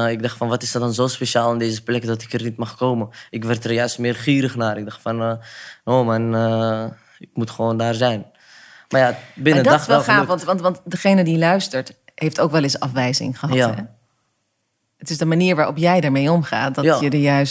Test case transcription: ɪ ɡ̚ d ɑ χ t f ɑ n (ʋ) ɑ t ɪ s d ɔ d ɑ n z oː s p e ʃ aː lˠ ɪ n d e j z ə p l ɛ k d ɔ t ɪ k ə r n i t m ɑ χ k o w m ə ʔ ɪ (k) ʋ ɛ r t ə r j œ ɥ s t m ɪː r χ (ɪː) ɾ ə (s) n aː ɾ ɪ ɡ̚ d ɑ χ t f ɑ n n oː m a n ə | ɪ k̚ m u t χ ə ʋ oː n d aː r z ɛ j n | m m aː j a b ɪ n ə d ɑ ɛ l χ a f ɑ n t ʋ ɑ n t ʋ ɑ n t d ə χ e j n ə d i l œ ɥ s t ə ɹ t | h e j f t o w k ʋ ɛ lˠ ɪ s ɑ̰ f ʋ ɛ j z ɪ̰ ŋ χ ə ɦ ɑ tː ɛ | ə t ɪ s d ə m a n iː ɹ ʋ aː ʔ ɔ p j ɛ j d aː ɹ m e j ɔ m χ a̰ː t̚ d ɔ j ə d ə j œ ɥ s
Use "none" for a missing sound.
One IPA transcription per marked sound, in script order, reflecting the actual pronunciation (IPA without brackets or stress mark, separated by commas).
ʋ, k, iː, χ